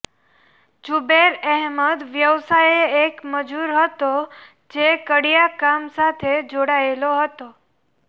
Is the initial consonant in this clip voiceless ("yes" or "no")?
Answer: no